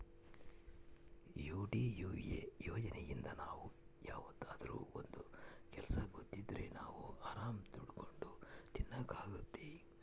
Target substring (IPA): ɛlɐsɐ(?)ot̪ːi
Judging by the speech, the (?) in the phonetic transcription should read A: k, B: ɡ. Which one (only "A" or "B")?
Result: B